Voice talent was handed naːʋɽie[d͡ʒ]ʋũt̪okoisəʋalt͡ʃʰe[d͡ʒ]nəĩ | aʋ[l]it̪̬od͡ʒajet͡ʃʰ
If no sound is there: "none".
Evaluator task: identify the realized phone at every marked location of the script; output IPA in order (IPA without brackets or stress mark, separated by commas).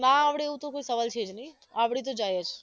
none, d͡ʒ, ɽ